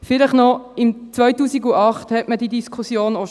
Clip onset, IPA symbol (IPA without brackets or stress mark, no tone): f